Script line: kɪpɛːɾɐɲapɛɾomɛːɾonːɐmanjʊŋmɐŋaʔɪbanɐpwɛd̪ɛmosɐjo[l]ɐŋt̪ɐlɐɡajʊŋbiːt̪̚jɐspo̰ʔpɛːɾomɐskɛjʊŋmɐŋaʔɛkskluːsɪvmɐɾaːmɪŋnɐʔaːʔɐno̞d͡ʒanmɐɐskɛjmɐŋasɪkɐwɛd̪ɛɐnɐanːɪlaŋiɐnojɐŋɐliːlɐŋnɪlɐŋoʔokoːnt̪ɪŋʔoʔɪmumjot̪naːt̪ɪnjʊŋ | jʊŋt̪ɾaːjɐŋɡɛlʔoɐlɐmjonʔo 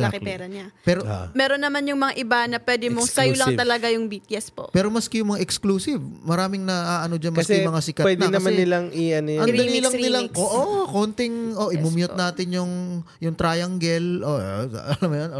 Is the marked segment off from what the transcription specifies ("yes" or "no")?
no